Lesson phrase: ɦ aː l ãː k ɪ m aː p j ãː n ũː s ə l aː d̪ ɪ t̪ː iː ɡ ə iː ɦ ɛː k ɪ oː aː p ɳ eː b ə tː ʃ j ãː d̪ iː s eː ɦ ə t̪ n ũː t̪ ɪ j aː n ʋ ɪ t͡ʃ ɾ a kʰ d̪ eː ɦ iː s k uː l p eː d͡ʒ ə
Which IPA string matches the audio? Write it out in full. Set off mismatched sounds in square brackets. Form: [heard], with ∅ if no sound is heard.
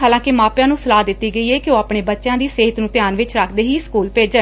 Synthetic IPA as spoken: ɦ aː l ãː k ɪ m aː p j ãː n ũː s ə l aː d̪ ɪ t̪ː iː ɡ ə iː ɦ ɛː k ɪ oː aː p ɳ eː b ə tː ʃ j ãː d̪ iː s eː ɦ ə t̪ n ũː t̪ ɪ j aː n ʋ ɪ t͡ʃ ɾ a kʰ d̪ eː ɦ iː s k uː l p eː d͡ʒ ə

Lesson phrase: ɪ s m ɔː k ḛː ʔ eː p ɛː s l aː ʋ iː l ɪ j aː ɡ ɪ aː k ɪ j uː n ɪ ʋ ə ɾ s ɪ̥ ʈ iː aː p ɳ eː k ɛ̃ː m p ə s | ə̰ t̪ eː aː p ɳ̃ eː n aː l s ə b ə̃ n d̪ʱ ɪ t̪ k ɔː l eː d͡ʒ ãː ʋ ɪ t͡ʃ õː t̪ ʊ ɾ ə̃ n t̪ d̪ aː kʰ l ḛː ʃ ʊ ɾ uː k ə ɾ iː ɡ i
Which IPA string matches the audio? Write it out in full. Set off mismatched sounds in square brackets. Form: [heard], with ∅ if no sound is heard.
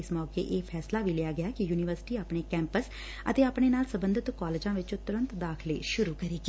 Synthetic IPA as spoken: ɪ s m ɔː k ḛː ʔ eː [pʰ] ɛː s l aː ʋ iː l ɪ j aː ɡ ɪ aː k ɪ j uː n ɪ ʋ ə ɾ s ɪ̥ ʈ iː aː p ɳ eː k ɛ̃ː m p ə s | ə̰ t̪ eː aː p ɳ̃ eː n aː l s ə b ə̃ n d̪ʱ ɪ t̪ k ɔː l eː d͡ʒ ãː ʋ ɪ t͡ʃ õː t̪ ʊ ɾ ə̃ n t̪ d̪ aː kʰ l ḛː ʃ ʊ ɾ uː k ə ɾ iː ɡ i

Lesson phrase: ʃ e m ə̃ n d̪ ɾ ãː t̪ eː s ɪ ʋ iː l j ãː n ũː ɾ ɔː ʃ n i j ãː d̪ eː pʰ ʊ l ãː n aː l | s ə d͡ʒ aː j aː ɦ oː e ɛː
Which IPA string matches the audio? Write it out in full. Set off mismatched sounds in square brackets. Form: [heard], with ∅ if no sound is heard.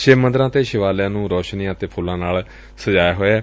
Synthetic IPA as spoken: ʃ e m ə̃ n d̪ ɾ ãː t̪ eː [ʃ] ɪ ʋ [aː] l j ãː n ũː ɾ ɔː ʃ n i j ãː [t̪] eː pʰ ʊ l ãː n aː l | s ə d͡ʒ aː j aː ɦ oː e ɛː

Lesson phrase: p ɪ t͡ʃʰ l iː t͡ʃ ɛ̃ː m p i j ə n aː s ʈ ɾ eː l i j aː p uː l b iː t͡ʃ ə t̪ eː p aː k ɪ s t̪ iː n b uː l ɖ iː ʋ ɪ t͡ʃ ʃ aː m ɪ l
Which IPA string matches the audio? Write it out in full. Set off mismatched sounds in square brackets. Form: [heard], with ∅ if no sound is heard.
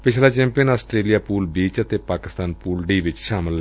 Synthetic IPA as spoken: p ɪ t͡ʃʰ l [aː] t͡ʃ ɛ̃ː m p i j ə n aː s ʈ ɾ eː l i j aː p uː l b iː t͡ʃ ə t̪ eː p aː k ɪ s t̪ [aː] n [p] uː l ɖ iː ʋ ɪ t͡ʃ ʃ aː m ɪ l

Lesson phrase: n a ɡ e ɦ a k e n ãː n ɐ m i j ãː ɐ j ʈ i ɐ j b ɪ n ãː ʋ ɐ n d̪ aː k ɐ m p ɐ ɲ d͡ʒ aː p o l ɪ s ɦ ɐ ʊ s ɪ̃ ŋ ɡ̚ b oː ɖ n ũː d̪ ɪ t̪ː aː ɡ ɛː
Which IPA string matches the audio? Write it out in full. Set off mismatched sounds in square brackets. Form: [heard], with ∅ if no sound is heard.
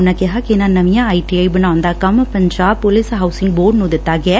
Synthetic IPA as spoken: n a [k] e ɦ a k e n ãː n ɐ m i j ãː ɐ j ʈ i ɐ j b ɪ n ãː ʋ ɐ n d̪ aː k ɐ m p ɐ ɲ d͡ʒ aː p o l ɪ s ɦ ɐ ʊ s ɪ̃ ŋ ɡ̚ b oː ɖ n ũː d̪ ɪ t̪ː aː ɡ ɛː

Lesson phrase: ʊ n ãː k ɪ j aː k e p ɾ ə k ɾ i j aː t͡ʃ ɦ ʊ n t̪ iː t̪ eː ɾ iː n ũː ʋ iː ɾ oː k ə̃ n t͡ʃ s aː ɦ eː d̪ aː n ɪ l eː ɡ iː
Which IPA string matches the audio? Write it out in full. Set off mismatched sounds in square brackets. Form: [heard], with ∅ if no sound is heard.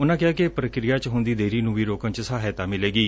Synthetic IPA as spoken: ʊ n ãː k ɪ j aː k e p ɾ ə k ɾ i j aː t͡ʃ ɦ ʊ n [d̪] iː [d̪] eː ɾ iː n ũː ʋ iː ɾ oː k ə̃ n t͡ʃ s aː ɦ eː [t̪] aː [m] ɪ l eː ɡ iː

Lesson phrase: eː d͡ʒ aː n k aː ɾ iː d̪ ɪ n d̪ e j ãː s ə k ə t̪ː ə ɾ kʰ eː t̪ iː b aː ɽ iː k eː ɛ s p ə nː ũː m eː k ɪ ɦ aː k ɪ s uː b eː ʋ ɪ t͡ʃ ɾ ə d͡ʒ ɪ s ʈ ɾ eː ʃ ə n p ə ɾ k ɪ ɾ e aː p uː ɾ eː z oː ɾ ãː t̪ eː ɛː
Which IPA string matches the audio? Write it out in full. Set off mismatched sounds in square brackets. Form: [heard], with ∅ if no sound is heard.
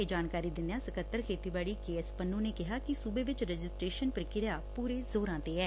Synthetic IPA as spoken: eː d͡ʒ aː n k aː ɾ iː d̪ ɪ n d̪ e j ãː s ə k ə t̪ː ə ɾ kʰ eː t̪ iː b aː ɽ iː k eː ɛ s p ə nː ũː [n] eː k ɪ ɦ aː k ɪ s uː b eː ʋ ɪ t͡ʃ ɾ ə d͡ʒ ɪ s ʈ ɾ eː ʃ ə n p ə ɾ k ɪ ɾ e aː p uː ɾ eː z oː ɾ ãː t̪ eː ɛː

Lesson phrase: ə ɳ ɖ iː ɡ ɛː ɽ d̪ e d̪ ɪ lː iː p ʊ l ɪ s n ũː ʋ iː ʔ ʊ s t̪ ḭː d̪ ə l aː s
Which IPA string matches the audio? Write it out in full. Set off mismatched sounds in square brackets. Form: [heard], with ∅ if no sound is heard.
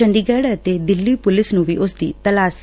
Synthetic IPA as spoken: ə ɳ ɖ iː ɡ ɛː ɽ [t̪] e d̪ ɪ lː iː p ʊ l ɪ s n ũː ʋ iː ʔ ʊ s [d̪] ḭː [t̪] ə l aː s

